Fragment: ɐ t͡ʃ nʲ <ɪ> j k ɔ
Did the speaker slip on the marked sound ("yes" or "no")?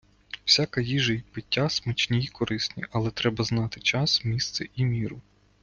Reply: yes